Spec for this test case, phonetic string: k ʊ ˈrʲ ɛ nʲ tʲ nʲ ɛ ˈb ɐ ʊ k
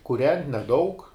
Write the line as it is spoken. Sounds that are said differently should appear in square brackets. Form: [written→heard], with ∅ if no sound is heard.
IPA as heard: k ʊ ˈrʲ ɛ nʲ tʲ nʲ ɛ [ˈb→ˈd] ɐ ʊ k